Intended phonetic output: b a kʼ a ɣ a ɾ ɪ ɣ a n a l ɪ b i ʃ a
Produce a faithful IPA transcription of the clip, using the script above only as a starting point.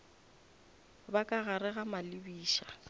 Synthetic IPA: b a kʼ a ɣ a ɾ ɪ ɣ a m a l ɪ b iː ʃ a